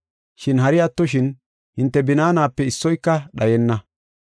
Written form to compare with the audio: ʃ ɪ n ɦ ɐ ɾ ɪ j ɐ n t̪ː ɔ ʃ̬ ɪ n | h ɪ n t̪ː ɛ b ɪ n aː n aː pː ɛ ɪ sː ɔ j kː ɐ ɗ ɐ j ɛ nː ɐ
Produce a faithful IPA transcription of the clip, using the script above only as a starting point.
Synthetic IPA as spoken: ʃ ɪ n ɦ ɐ ɾ ɪ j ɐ t̪ː ɔ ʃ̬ ɪ n | h ɪ n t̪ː ɛ b ɪ n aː n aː pː ɛ ɪ sː ɔ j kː ɐ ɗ ɐ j ɛ nː ɐ